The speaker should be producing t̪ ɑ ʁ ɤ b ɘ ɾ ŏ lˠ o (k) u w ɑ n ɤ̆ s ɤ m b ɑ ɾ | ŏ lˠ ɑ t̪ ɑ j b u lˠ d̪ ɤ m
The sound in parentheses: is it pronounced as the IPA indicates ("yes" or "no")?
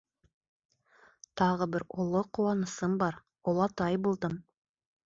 no